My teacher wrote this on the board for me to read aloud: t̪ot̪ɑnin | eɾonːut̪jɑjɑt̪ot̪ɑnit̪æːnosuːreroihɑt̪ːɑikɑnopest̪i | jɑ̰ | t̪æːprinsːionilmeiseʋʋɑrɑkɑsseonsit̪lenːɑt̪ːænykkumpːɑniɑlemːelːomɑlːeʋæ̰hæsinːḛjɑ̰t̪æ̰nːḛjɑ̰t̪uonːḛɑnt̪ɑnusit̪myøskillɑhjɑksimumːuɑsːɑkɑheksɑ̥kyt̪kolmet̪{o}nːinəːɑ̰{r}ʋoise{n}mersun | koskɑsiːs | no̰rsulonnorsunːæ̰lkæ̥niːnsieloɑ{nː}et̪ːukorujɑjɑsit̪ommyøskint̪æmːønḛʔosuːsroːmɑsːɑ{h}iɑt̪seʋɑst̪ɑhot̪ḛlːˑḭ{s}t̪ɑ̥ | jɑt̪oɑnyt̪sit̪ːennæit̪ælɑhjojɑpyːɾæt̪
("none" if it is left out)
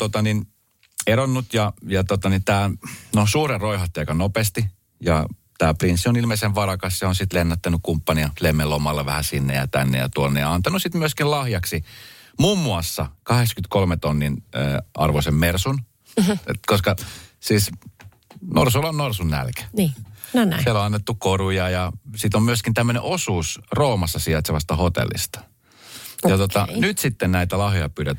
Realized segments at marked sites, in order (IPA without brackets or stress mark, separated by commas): o, r, m, nː, s, s